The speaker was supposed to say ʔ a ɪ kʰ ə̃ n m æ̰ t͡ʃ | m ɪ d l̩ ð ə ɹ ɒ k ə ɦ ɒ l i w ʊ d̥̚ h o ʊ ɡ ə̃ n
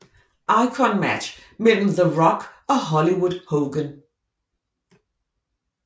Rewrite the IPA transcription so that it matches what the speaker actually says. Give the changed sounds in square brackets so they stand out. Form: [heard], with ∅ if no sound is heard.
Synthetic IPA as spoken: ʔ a ɪ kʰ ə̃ n m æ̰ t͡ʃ | m ɪ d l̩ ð ə ɹ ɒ k ə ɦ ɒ l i w ʊ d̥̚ h o ʊ ɡ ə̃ n